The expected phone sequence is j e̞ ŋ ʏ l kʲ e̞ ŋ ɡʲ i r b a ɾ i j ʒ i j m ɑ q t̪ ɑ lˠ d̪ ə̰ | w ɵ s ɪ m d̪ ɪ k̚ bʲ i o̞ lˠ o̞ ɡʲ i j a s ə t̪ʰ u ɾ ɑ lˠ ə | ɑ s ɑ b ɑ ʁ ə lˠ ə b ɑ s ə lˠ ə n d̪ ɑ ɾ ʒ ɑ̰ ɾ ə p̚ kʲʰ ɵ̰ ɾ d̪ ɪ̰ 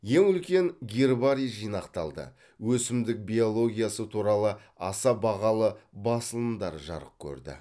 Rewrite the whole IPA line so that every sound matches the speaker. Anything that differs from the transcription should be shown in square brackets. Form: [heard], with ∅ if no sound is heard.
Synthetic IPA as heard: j e̞ ŋ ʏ l kʲ e̞ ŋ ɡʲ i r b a ɾ i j ʒ i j [n] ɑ q t̪ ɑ lˠ d̪ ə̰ | w ɵ s ɪ m d̪ ɪ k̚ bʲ i o̞ lˠ o̞ ɡʲ i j a s ə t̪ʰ u ɾ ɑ lˠ ə | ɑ s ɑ b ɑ ʁ [ɑ] lˠ ə b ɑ s ə lˠ ə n d̪ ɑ ɾ ʒ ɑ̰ ɾ ə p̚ kʲʰ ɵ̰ ɾ d̪ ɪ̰